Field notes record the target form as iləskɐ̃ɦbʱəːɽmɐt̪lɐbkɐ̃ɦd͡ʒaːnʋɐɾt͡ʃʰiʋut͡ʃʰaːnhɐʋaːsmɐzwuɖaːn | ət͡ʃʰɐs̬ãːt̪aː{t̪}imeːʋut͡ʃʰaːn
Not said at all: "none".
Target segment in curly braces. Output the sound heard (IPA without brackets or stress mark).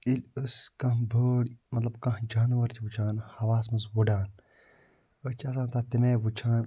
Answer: t̪